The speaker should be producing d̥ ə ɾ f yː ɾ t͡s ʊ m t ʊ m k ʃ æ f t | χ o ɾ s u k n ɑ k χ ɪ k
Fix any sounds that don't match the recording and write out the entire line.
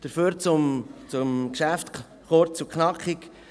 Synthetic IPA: d̥ ə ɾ f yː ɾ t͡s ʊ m t͡s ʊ m k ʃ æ f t | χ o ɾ t͡s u k n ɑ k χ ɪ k